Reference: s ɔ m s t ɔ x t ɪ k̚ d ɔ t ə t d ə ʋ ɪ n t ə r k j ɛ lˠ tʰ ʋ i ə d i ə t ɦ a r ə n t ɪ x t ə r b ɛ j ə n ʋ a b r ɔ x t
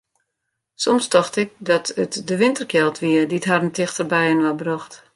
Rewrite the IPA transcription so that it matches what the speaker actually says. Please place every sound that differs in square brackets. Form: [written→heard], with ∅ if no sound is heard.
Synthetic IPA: s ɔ m s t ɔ x t ɪ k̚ d ɔ t ə t d ə ʋ ɪ n t ə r k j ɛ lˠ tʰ ʋ i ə d i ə t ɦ a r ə n t ɪ x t ə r b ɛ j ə n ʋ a b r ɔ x t